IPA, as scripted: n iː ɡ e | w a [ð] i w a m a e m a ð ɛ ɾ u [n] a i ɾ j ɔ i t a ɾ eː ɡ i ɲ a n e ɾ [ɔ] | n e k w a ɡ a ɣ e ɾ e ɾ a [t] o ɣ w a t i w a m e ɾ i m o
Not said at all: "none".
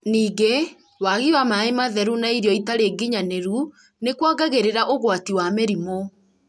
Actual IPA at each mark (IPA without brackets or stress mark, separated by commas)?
ɣ, n, u, ʔ